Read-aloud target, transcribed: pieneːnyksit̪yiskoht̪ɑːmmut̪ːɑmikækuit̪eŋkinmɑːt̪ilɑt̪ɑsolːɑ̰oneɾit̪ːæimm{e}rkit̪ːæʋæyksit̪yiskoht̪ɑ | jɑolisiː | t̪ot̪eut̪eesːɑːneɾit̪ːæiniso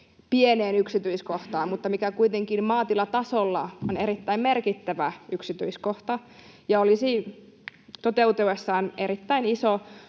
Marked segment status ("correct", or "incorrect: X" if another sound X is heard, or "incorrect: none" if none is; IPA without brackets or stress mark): correct